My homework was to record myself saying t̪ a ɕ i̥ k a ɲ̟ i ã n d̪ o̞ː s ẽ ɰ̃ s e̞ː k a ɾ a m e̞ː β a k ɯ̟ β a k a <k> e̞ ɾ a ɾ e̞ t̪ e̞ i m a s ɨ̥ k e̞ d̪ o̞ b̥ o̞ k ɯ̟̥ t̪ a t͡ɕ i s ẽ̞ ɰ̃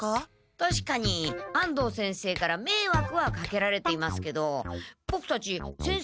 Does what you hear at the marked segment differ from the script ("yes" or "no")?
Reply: no